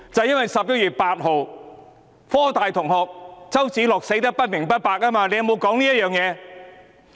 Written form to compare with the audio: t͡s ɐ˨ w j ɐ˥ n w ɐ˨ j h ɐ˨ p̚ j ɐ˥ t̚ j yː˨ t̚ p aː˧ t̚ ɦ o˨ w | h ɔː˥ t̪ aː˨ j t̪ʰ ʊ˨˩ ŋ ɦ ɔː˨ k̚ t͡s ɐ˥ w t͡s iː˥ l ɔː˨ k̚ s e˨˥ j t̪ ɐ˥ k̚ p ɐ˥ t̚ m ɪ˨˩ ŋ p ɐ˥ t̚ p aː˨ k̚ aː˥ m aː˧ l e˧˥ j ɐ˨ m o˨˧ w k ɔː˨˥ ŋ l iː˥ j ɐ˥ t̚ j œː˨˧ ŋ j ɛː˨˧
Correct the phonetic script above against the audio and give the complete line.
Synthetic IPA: t͡s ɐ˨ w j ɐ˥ n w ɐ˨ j s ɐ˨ p̚ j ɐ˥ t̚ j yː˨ t̚ p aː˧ t̚ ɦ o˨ w | f ɔː˥ t̪ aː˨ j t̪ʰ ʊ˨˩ ŋ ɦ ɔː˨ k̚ t͡s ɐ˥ w t͡s iː˨˥ l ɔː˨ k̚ s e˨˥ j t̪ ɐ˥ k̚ p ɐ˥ t̚ m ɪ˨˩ ŋ p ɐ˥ t̚ p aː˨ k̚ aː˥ m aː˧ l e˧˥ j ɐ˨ m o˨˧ w k ɔː˨˥ ŋ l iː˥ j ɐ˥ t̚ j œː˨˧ ŋ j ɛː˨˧

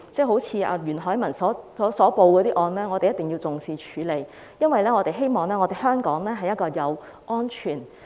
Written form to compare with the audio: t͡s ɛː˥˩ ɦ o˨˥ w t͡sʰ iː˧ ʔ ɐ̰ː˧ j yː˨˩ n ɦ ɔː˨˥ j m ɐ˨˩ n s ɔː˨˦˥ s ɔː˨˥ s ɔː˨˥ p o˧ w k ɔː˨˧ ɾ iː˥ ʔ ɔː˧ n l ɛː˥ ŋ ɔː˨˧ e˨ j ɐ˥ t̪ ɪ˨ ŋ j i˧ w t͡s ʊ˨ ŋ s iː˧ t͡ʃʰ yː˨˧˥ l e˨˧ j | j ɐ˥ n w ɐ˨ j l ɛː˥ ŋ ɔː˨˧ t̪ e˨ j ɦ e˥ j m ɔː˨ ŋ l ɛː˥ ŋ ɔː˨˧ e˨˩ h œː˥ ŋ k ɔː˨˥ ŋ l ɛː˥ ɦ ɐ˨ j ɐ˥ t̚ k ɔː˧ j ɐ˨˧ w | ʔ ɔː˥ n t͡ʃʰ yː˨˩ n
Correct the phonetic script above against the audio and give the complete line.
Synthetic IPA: t͡s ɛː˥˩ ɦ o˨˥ w t͡sʰ iː˧ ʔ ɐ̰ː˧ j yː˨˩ n ɦ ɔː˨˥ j m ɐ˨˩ n s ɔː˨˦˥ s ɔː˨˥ s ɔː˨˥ p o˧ w k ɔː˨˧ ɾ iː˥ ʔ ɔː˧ n l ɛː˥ ŋ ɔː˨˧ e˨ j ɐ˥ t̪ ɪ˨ ŋ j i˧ w t͡s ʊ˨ ŋ s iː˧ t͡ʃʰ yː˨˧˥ l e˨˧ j | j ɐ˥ n w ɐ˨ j l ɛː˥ ŋ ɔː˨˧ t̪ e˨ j ɦ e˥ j m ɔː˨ ŋ l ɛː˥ ŋ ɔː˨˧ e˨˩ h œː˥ ŋ k ɔː˨˥ ŋ l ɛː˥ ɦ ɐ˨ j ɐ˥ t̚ k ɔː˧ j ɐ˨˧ w | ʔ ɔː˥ n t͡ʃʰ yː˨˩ n

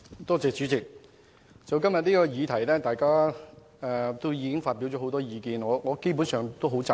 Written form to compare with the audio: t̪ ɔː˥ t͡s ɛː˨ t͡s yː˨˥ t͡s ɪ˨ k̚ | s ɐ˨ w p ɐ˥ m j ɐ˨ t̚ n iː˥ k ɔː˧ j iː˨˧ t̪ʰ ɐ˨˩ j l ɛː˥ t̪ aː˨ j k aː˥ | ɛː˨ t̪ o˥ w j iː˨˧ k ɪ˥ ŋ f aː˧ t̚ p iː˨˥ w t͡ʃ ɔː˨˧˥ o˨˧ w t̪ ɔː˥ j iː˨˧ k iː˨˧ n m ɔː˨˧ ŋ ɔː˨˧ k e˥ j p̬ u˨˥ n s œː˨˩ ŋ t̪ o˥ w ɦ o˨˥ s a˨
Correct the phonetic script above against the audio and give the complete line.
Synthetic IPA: t̪ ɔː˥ t͡s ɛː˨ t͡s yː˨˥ t͡s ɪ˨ k̚ | t͡s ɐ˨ w k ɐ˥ m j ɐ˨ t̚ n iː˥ k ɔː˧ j iː˨˧ t̪ʰ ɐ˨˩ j l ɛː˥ t̪ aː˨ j k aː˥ | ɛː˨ t̪ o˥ w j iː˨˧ k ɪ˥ ŋ f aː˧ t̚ p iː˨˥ w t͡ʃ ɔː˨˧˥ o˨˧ w t̪ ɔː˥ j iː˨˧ k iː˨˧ n ŋ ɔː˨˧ ŋ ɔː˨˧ k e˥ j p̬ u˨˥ n s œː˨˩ ŋ t̪ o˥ w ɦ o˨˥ t͡s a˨

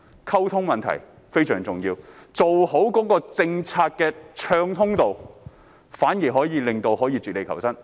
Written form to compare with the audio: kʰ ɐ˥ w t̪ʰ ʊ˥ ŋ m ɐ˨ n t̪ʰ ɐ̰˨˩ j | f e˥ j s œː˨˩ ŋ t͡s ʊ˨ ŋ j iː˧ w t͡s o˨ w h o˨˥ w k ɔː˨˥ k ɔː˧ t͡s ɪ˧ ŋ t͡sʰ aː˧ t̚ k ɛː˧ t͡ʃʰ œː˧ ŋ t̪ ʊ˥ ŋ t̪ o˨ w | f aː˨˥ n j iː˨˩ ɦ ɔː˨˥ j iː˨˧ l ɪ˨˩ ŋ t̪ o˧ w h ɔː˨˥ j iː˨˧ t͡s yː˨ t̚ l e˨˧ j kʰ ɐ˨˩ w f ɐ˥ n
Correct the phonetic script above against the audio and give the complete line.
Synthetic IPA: kʰ ɐ˥ w t̪ʰ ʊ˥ ŋ m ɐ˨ n t̪ʰ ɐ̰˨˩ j | f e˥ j s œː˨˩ ŋ t͡s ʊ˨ ŋ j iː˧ w t͡s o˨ w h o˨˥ w k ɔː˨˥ k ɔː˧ t͡s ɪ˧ ŋ t͡sʰ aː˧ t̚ k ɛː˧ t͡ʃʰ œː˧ ŋ t̪ʰ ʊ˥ ŋ t̪ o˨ w | f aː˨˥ n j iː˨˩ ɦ ɔː˨˥ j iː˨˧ l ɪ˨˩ ŋ t̪ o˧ w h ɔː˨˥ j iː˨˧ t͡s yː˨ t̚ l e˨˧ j kʰ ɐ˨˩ w s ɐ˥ n

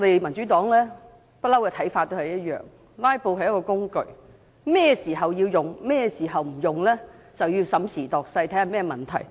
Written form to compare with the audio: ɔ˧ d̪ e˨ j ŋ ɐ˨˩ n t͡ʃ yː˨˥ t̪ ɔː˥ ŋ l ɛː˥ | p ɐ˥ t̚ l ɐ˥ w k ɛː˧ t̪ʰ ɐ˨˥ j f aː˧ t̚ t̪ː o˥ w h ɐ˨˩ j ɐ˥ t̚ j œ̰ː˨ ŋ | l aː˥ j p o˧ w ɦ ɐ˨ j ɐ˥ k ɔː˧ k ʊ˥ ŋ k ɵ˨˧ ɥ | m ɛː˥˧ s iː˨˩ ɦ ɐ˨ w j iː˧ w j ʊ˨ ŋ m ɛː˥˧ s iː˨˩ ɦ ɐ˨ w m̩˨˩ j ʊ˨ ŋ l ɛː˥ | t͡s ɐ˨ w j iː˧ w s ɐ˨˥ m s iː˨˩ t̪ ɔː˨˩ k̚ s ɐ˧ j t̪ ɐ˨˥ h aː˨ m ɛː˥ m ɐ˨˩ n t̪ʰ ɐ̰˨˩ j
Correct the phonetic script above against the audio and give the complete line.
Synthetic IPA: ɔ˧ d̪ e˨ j m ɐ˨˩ n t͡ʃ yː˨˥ t̪ ɔː˨˥ ŋ l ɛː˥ | p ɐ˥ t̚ l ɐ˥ w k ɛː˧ t̪ʰ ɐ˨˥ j f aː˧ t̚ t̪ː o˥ w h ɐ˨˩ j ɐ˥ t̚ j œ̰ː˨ ŋ | l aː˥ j p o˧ w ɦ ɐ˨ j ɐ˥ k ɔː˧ k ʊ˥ ŋ k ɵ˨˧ ɥ | m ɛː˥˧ s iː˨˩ ɦ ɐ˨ w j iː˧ w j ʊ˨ ŋ m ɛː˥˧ s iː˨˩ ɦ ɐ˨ w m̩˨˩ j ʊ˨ ŋ l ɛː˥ | t͡s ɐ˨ w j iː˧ w s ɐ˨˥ m s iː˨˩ t̪ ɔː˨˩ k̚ s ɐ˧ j t̪ʰ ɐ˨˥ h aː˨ m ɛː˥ m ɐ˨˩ n t̪ʰ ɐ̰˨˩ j

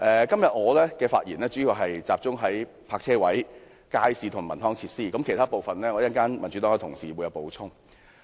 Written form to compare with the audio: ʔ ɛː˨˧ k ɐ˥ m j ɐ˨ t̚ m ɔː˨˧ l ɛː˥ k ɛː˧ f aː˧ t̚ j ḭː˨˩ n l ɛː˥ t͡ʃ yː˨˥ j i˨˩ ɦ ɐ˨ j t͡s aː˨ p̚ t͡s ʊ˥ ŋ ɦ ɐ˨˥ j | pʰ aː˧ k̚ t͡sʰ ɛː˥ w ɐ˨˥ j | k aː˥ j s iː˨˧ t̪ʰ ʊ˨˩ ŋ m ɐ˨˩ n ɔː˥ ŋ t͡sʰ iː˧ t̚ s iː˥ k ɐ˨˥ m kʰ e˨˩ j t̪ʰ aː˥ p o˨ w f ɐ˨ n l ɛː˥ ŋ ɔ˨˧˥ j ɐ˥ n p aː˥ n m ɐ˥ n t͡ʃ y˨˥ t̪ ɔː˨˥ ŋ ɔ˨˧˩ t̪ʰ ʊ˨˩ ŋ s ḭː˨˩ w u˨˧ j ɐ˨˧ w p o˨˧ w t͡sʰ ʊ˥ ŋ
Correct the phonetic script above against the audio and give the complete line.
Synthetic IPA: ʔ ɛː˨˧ k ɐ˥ m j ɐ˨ t̚ ŋ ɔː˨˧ l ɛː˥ k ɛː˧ f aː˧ t̚ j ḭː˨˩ n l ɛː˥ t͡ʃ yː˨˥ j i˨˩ ɦ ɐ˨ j t͡s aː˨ p̚ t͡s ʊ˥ ŋ ɦ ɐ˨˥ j | pʰ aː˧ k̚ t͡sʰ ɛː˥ w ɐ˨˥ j | k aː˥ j s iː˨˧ t̪ʰ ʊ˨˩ ŋ m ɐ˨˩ n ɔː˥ ŋ t͡sʰ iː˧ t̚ s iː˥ k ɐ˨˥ m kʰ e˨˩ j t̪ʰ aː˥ p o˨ w f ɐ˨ n l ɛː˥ ŋ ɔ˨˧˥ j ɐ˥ n k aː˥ n m ɐ˨˩ n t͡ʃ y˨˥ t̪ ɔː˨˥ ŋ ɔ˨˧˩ t̪ʰ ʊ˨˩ ŋ s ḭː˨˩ w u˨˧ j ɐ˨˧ w p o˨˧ w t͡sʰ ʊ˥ ŋ

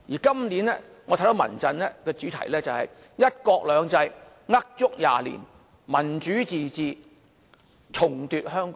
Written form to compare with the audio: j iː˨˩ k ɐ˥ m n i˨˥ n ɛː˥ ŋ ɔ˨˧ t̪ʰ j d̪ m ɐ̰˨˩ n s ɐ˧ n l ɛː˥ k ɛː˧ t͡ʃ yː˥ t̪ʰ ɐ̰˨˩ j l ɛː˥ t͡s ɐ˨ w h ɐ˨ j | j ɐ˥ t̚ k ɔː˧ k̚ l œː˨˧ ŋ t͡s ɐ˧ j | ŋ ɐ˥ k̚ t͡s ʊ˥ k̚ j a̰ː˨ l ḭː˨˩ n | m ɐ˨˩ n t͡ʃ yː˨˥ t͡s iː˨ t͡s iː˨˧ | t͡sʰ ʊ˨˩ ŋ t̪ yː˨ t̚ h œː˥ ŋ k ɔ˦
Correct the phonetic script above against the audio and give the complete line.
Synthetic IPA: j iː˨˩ k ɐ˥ m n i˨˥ n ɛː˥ ŋ ɔ˨˧ t̪ʰ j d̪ m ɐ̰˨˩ n t͡s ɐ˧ n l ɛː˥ k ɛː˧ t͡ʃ yː˨˥ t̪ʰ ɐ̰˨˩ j l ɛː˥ t͡s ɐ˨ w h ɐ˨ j | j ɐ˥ t̚ k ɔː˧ k̚ l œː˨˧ ŋ t͡s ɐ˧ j | ŋ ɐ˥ k̚ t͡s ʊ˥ k̚ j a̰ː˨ l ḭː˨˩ n | m ɐ˨˩ n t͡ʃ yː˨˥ t͡s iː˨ t͡s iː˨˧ | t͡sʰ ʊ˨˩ ŋ t̪ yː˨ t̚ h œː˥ ŋ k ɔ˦

